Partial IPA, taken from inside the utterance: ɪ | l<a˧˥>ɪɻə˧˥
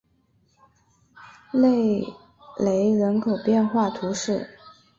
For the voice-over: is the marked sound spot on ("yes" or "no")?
no